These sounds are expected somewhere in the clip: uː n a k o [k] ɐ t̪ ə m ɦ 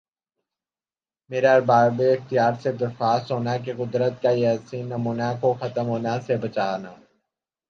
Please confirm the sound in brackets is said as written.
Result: no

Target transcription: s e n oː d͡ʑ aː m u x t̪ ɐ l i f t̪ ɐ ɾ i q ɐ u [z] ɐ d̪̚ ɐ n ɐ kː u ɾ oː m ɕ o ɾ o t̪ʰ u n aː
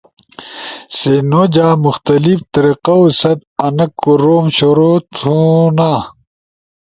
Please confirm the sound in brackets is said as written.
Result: no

